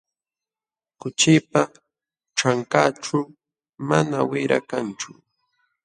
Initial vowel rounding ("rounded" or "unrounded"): rounded